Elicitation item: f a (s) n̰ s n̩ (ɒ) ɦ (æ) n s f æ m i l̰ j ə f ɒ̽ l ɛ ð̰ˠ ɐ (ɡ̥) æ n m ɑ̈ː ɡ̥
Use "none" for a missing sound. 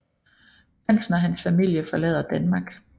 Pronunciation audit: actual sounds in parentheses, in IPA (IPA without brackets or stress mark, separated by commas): none, ɒ, æ, d̥